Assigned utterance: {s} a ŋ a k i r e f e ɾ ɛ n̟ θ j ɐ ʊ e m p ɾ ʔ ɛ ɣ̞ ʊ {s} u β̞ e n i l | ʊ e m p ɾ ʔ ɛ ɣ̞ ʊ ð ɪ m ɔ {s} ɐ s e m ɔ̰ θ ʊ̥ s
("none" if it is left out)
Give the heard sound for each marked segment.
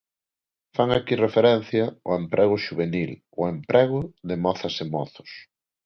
f, ʃ, θ

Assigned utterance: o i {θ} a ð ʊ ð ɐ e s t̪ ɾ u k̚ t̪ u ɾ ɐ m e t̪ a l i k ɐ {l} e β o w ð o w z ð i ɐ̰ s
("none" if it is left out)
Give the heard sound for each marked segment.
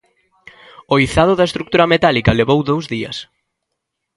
θ, l

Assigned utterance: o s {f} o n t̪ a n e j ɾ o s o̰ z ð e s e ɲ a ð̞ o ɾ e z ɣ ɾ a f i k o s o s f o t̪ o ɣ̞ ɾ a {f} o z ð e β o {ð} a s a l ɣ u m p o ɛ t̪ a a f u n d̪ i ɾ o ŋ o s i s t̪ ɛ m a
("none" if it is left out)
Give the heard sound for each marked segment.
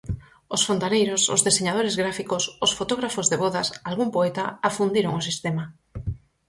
f, f, ð

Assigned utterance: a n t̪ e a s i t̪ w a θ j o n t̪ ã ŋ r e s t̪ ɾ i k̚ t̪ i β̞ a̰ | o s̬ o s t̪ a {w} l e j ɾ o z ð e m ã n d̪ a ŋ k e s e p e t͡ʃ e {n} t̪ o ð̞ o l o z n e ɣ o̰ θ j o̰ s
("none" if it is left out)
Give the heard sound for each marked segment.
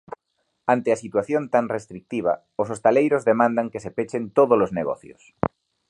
none, n

